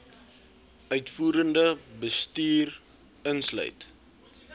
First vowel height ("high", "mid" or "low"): mid